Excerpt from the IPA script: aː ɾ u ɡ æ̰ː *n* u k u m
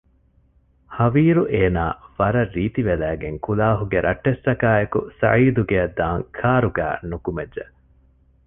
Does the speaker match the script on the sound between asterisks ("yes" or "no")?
yes